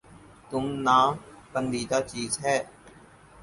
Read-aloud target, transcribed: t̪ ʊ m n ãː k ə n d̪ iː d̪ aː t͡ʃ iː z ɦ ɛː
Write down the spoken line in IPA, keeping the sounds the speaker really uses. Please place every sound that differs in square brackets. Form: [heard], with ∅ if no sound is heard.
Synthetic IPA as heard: t̪ ʊ m n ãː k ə n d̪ iː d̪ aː t͡ʃ iː z ɦ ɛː